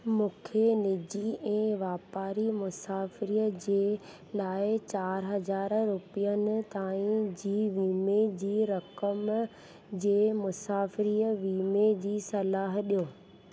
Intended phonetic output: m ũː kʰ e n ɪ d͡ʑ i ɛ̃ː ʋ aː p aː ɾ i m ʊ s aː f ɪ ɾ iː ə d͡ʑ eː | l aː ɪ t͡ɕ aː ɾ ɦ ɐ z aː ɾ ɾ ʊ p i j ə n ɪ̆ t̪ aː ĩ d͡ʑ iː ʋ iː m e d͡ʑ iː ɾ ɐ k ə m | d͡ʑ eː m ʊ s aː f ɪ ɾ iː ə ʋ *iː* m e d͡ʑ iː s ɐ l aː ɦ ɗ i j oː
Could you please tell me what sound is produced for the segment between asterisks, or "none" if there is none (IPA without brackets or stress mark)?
iː